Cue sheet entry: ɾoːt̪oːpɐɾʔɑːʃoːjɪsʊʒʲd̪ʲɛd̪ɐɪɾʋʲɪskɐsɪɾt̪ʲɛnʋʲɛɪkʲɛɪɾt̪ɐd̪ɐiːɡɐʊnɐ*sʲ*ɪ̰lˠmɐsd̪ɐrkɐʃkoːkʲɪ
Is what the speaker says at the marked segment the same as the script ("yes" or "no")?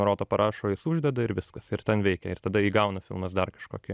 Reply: no